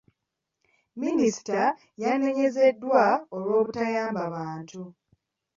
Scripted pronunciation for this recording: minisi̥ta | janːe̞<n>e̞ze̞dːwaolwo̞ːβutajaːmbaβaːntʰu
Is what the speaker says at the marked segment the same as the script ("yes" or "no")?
no